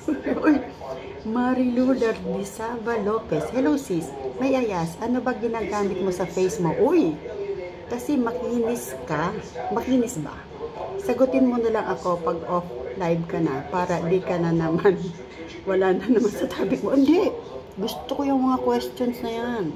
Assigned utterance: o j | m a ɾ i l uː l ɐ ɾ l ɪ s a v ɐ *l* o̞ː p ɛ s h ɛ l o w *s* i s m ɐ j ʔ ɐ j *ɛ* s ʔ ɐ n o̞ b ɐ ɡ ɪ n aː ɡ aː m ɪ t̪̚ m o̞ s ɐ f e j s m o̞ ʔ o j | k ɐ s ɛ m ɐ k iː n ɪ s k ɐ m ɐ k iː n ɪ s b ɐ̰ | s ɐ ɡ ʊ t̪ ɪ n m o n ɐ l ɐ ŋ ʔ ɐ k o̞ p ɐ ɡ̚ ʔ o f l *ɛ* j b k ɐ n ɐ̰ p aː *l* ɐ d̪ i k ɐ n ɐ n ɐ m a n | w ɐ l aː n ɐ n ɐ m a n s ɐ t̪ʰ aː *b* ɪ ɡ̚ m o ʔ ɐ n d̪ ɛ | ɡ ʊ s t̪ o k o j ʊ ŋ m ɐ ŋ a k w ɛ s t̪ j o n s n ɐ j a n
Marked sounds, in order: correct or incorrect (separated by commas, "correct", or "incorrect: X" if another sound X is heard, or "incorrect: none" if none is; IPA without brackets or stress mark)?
correct, correct, incorrect: a, incorrect: a, incorrect: ɾ, correct